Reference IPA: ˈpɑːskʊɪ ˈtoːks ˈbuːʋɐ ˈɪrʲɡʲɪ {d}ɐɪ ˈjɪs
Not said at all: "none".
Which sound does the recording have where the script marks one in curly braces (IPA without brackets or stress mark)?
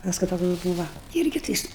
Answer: t